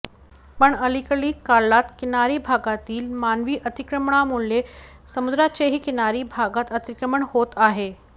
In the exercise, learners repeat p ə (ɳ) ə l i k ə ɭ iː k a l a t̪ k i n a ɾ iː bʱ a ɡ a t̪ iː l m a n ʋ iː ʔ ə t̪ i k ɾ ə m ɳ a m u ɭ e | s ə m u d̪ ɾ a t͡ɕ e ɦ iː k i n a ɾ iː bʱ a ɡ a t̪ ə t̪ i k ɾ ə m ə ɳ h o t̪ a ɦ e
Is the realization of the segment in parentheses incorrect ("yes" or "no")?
no